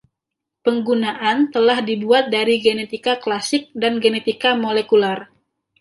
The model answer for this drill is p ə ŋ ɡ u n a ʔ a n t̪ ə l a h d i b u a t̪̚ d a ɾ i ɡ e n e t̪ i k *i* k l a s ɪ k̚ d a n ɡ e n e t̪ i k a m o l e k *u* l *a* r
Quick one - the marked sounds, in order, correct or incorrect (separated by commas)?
incorrect, correct, correct